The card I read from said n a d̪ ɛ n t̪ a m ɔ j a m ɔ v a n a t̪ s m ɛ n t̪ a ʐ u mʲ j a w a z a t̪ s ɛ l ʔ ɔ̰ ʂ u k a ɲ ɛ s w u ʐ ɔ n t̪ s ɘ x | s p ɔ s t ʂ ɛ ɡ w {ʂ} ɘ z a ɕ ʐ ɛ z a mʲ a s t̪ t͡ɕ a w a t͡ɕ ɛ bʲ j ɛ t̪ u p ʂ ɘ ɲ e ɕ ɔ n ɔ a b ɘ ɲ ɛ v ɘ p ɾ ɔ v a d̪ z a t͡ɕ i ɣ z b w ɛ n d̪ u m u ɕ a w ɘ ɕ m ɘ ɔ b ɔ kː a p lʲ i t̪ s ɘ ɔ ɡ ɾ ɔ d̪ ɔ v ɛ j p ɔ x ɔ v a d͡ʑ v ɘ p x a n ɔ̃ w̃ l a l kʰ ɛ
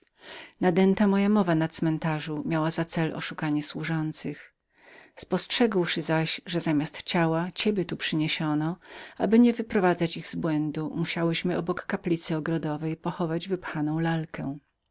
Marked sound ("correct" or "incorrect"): correct